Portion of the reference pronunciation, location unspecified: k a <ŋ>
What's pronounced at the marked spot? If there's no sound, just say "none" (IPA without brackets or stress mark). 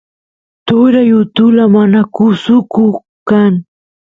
ŋ